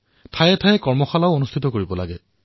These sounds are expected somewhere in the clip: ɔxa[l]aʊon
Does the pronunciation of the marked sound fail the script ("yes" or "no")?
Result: no